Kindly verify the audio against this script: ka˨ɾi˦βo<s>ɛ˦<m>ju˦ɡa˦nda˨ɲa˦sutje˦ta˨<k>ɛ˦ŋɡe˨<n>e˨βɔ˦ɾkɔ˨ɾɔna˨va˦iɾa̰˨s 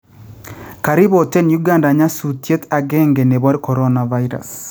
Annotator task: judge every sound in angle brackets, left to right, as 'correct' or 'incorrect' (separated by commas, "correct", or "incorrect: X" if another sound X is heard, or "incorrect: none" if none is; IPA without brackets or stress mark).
incorrect: t, incorrect: n, incorrect: ɡ, correct